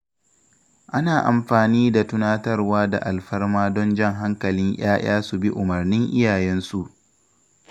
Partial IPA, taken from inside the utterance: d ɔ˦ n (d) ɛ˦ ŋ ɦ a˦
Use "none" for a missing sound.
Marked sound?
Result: d͡ʒ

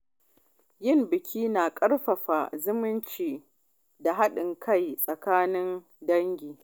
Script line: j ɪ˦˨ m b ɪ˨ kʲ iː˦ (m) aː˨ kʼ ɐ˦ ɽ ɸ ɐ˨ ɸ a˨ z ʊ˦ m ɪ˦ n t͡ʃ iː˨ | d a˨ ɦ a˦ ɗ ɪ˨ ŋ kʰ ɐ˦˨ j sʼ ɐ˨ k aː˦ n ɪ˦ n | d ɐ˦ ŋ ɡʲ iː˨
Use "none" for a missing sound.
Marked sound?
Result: n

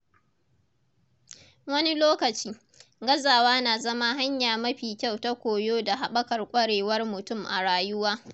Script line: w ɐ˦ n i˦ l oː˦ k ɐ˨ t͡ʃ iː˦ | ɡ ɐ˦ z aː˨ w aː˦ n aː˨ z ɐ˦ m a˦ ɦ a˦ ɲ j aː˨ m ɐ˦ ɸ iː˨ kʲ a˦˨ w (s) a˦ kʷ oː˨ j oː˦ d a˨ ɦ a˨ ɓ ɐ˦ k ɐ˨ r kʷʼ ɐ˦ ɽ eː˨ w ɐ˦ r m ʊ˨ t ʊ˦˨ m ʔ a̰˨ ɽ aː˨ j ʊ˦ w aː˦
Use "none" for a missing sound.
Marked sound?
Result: t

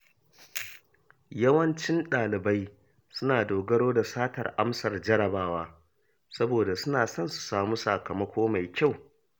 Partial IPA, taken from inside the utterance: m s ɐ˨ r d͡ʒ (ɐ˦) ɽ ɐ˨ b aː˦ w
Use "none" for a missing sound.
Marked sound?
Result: ɐ˦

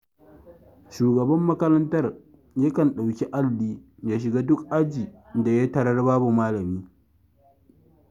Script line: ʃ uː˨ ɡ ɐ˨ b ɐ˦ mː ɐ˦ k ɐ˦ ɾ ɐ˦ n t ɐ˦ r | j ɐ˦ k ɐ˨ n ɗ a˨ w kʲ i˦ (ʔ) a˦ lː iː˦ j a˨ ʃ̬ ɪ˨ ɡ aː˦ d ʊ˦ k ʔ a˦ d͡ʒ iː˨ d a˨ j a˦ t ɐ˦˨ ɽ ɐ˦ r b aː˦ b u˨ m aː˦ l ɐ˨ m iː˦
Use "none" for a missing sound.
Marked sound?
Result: ʔ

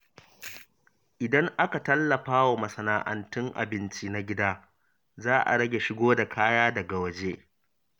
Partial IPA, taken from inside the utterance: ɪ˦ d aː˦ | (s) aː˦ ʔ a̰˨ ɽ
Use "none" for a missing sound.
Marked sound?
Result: z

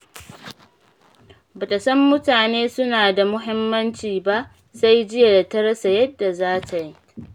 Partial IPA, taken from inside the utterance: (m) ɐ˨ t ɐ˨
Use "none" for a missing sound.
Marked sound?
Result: b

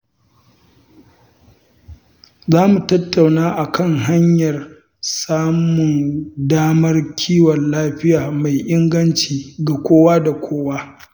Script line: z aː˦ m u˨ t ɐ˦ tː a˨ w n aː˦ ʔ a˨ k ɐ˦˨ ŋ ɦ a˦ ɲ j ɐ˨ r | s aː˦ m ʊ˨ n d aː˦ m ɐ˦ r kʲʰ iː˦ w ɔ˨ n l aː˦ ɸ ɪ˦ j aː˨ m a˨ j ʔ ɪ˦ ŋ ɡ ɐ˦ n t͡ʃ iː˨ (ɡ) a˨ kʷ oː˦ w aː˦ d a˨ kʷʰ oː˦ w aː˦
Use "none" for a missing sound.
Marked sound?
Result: ɡ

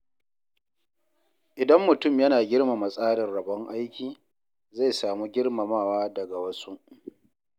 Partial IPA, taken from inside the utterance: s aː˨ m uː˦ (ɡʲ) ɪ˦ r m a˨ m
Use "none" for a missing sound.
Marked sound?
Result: ɡʲ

